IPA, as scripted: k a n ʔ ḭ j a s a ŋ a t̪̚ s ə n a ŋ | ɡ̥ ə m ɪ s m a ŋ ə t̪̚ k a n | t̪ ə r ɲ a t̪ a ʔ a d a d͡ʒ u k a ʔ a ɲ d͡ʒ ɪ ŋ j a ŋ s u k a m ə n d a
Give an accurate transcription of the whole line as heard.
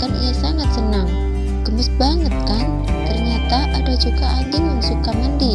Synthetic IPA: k a n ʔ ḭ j a s a ŋ a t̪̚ s ə n a ŋ | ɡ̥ ə m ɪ s b a ŋ ə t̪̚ k a n | t̪ ə r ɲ a t̪ a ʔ a d a d͡ʒ u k a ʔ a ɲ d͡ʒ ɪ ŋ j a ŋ s u k a m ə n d i